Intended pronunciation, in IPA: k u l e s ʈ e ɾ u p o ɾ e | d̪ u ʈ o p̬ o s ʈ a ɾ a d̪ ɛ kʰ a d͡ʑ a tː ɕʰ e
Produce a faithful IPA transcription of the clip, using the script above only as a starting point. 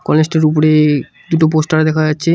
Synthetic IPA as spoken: k ɔ l e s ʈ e ɾ u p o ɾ e | d̪ u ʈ o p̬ o s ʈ a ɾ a d̪ ɛ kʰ a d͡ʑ a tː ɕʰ e

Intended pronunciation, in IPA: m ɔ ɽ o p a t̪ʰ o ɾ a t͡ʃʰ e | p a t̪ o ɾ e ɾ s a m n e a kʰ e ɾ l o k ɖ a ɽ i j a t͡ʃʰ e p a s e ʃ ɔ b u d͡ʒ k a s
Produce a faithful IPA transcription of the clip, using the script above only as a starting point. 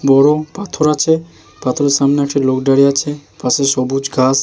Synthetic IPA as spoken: b ɔ ɽ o p a t̪ʰ o ɾ a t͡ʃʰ e | p a t̪ʰ o ɾ e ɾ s a m n e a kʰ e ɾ l o k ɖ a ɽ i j a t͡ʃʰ e p a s e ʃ ɔ b u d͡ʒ ɡ a s

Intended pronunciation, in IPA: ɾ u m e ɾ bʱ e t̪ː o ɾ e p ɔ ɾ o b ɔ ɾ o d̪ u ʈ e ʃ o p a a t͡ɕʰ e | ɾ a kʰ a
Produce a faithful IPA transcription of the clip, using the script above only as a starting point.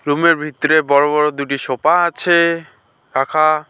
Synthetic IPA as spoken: ɾ u m e ɾ bʱ i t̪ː o ɾ e b ɔ ɾ o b ɔ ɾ o d̪ u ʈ i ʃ o p a a t͡ɕʰ e | ɾ a kʰ a

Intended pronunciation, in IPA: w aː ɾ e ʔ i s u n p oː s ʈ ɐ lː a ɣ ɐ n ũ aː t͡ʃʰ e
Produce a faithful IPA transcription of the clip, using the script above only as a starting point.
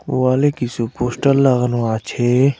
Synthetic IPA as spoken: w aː l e k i s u p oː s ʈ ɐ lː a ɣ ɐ n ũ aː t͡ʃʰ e

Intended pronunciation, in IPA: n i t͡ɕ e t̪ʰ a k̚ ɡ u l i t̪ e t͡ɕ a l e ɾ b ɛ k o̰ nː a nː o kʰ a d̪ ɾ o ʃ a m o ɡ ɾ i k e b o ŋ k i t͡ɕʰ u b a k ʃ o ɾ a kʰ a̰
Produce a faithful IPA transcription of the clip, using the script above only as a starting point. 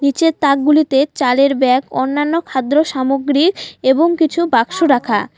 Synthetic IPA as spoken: n i t͡ɕ e t̪ a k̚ ɡ u l i t̪ e t͡ɕ a l e ɾ b ɛ k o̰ nː a nː o kʰ a d̪ ɾ o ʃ a m o ɡ ɾ i k e b o ŋ k i t͡ɕʰ u b a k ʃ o ɾ a kʰ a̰

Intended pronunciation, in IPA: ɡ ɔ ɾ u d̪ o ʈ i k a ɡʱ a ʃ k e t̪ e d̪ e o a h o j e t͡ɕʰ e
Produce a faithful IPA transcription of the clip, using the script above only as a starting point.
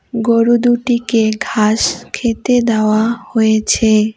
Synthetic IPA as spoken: ɡ o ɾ u d̪ u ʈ i k e ɡʱ a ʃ kʰ e t̪ e d̪ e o a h o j e t͡ɕʰ e

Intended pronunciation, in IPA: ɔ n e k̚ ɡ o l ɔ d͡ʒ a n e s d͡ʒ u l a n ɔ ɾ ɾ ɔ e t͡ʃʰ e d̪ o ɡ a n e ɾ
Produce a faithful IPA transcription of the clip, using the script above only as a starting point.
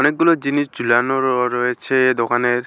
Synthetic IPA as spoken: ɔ n e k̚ ɡ u l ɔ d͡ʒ i n i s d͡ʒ u l a n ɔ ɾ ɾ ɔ e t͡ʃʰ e d̪ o k a n e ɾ

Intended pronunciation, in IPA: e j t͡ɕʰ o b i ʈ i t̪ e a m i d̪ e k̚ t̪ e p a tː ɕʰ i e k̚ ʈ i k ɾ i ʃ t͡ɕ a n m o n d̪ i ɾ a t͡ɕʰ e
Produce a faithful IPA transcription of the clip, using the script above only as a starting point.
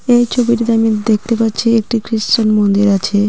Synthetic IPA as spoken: e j t͡ɕʰ o b i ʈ i t̪ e a m i d̪ e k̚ t̪ e p a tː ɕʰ i e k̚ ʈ i k ɾ i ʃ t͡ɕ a n m o n d̪ i ɾ a t͡ɕʰ e

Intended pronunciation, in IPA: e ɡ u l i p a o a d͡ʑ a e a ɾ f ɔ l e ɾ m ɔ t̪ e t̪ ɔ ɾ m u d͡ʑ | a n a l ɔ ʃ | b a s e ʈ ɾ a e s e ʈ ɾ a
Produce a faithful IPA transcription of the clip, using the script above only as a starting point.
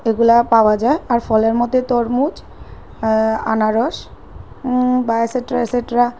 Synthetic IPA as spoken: e ɡ u l a p a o a d͡ʑ a e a ɾ f ɔ l e ɾ m ɔ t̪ e t̪ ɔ ɾ m u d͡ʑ | a n a ɾ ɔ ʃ | b a s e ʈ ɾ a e s e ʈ ɾ a

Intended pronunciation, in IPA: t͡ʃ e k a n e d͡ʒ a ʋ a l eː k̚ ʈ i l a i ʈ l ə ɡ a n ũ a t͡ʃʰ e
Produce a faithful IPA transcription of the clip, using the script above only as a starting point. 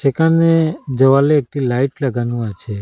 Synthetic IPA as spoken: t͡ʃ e k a n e d͡ʒ ə ʋ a l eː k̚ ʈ i l a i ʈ l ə ɡ a n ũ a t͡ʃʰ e

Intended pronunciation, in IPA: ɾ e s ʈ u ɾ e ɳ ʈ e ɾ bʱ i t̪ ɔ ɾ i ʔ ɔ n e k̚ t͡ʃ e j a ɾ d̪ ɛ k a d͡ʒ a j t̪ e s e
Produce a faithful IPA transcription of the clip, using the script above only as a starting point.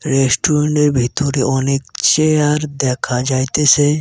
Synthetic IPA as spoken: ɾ e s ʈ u ɾ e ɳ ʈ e ɾ bʱ i t̪ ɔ ɾ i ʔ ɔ n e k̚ t͡ʃ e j a ɾ d̪ ɛ kʰ a d͡ʒ a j t̪ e s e

